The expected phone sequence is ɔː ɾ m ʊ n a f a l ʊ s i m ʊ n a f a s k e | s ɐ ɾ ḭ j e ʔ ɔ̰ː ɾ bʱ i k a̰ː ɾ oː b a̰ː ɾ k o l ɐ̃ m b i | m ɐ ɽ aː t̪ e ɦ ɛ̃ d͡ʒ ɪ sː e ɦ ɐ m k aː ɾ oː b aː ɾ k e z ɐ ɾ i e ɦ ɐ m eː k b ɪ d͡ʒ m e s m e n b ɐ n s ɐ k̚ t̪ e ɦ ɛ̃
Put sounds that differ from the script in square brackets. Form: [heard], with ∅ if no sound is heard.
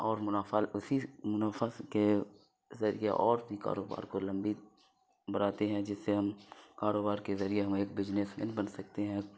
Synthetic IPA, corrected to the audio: ɔː ɾ m ʊ n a f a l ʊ s i m ʊ n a f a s k e | [z] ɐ ɾ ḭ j e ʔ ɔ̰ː ɾ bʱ i k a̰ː ɾ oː b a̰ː ɾ k o l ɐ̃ m b i | [b] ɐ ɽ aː t̪ e ɦ ɛ̃ d͡ʒ ɪ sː e ɦ ɐ m k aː ɾ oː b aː ɾ k e z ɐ ɾ i e ɦ ɐ m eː k b ɪ d͡ʒ [n] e s m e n b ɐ n s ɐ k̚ t̪ e ɦ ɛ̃